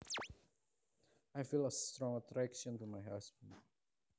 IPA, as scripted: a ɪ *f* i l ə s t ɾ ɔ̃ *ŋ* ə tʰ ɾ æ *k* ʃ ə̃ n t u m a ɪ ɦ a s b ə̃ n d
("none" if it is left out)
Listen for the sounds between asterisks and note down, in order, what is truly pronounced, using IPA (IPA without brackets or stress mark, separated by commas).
f, ŋ, k